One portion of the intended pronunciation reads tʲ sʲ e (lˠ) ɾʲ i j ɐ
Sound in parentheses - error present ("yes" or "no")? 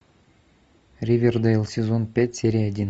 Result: yes